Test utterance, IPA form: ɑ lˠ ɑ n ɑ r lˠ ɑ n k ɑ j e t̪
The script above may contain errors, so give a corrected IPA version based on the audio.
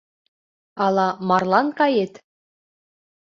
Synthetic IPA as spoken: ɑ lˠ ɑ m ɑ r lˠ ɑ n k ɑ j e t̪

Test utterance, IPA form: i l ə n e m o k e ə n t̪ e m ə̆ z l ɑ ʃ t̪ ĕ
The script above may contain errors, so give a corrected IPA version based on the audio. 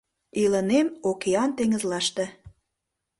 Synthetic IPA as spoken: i l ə n e m o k e ɑ n t̪ e ŋ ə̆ z l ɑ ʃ t̪ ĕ

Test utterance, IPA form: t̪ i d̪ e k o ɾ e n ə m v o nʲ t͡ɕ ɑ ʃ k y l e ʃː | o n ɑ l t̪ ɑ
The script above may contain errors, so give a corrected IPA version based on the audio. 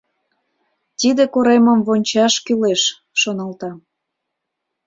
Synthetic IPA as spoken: t̪ i d̪ e k o ɾ e m ə m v o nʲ t͡ɕ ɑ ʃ k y l e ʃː | o n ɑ l t̪ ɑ

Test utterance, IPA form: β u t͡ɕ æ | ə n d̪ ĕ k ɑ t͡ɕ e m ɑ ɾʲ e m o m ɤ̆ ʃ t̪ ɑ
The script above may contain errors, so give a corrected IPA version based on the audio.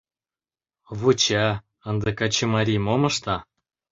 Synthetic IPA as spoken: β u t͡ɕ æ | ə n d̪ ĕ k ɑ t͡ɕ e m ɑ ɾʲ i m o m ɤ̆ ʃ t̪ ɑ

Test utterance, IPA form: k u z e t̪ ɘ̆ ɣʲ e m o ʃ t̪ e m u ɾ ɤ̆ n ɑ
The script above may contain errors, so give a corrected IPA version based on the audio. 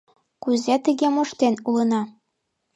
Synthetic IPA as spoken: k u z e t̪ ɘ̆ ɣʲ e m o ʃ t̪ e n u l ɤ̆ n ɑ

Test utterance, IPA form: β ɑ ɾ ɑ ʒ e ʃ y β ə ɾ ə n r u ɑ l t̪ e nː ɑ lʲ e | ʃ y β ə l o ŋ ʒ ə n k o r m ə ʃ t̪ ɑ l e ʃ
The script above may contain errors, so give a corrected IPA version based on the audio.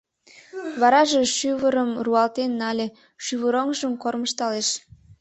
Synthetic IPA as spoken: β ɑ ɾ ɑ ʒ e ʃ y β ə ɾ ə m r u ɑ l t̪ e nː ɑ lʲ e | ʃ y β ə ɾ o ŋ ʒ ə m k o r m ə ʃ t̪ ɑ l e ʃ

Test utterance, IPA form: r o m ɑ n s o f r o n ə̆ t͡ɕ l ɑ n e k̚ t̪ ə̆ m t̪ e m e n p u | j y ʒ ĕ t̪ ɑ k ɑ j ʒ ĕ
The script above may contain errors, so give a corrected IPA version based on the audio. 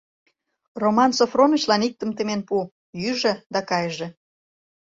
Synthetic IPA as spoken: r o m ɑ n s o f r o n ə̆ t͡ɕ l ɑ n i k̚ t̪ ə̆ m t̪ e m e n p u | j y ʒ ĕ d̪ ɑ k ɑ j ʒ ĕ

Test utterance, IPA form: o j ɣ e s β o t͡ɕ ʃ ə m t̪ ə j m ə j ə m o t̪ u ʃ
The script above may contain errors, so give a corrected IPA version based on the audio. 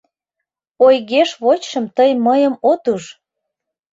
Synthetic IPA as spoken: o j ɣ e ʃ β o t͡ɕ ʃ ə m t̪ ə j m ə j ə m o t̪ u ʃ

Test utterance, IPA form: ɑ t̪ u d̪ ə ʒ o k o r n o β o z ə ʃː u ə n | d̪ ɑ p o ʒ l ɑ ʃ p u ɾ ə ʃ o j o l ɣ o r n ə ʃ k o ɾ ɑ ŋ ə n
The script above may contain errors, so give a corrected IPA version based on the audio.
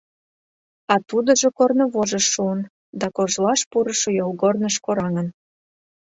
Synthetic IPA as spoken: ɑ t̪ u d̪ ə ʒ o k o r n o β o ʒ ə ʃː u ə n | d̪ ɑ k o ʒ l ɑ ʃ p u ɾ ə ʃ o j o l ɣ o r n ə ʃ k o ɾ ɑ ŋ ə n

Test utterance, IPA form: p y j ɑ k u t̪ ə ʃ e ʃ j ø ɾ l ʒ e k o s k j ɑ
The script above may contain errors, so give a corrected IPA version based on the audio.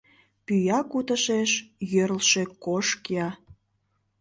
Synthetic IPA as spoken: p y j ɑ k u t̪ ə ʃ e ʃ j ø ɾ l ʃ e k o ʃ k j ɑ

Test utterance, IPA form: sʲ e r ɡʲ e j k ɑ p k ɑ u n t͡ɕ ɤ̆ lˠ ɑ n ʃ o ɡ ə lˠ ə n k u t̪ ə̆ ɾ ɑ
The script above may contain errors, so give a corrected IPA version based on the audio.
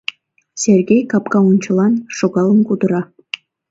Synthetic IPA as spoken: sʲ e r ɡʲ e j k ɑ p k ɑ u n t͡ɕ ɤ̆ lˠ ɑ n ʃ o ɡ ɑ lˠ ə n k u d̪ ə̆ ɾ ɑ

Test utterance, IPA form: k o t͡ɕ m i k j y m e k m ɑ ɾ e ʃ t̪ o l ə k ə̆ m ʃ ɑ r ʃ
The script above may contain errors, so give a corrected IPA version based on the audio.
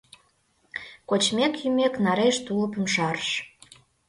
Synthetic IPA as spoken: k o t͡ɕ m e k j y m e k n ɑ ɾ e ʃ t̪ u l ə p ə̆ m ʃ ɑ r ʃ

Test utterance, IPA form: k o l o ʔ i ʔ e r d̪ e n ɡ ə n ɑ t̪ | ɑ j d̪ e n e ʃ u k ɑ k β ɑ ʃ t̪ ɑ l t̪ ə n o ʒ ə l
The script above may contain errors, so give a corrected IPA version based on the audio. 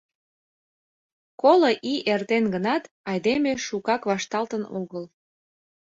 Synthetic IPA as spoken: k o l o ʔ i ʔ e r t̪ e n ɡ ə n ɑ t̪ | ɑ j d̪ e m e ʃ u k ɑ k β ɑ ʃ t̪ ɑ l t̪ ə n o ɣ ə l

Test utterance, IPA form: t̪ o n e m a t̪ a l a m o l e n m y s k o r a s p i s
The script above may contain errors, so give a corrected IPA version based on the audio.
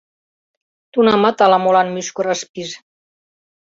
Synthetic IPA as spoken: t̪ u n a m a t̪ a l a m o l a n m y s k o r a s p i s

